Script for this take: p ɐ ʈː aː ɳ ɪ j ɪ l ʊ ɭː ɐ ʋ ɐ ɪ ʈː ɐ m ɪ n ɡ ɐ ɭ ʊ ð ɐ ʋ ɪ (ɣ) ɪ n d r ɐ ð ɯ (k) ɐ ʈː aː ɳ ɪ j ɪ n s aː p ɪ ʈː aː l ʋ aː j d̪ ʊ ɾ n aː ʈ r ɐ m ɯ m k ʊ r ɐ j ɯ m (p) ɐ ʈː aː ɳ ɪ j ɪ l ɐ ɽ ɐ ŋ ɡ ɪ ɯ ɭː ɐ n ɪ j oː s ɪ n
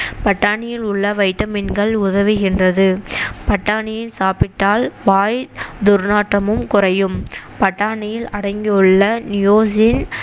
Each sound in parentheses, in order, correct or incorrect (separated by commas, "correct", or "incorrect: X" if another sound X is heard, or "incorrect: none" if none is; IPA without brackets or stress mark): correct, incorrect: p, correct